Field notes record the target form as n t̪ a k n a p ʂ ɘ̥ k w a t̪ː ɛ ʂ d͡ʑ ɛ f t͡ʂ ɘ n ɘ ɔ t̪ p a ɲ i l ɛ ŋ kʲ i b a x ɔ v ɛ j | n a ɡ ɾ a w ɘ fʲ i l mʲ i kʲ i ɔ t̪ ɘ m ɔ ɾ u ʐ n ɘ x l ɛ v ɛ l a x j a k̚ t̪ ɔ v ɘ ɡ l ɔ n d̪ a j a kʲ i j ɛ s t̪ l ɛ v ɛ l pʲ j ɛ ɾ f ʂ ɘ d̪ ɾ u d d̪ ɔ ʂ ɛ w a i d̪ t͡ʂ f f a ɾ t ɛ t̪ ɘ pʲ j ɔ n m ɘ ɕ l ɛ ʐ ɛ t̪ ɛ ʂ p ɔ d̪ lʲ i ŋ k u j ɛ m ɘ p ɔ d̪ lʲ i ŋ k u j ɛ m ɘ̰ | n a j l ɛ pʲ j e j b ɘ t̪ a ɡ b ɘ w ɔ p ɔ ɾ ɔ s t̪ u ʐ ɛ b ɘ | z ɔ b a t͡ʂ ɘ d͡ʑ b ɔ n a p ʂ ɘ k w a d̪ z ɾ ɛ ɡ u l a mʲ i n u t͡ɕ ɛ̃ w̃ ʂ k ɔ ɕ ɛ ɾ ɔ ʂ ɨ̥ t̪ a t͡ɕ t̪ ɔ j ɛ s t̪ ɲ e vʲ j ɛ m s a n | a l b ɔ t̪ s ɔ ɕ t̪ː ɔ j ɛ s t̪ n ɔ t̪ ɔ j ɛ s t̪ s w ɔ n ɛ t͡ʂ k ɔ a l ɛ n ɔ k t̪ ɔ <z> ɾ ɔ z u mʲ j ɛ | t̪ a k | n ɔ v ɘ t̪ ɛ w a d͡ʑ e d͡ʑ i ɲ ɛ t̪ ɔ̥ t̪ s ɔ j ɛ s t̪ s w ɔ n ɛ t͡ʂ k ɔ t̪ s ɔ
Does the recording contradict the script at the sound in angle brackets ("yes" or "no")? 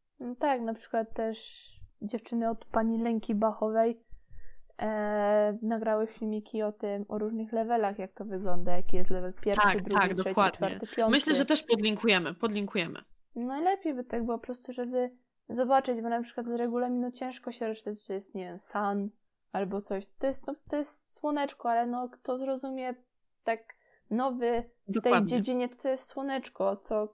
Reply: no